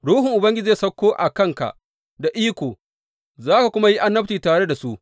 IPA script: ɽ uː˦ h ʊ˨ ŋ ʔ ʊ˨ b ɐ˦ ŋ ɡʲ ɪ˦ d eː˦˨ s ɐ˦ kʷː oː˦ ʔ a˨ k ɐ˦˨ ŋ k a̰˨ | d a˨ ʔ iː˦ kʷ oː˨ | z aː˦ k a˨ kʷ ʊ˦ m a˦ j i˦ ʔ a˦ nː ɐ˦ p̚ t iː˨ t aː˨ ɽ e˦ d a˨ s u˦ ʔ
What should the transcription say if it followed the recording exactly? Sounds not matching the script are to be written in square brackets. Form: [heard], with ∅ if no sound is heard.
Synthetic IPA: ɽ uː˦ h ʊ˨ ŋ ʔ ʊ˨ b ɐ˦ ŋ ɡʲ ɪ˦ [d͡ʒ] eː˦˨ s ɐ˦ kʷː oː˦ ʔ a˨ k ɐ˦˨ ŋ k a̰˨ | d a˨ ʔ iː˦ kʷ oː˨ | z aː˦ k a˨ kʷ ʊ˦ m a˦ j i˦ ʔ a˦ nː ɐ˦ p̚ t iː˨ t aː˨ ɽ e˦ d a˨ s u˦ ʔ